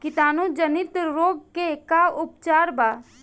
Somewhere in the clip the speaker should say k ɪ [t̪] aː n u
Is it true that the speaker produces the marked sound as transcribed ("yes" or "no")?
yes